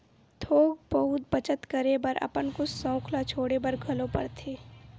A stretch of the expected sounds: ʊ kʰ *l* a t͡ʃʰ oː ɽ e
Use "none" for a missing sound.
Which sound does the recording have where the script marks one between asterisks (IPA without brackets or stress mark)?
l